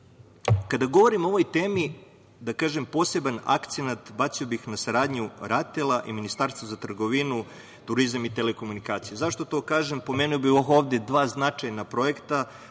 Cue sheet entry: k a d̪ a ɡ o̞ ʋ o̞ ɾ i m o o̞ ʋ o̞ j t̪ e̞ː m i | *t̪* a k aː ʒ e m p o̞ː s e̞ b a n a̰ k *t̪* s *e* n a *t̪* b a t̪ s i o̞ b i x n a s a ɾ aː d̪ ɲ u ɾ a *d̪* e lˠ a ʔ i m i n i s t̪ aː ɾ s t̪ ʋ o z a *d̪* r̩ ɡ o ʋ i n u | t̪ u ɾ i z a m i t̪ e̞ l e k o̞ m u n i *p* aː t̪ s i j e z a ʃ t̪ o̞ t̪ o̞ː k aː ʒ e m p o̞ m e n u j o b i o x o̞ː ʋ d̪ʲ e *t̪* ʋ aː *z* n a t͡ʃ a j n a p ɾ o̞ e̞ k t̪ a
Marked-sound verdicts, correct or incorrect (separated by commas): incorrect, correct, correct, correct, incorrect, incorrect, incorrect, incorrect, correct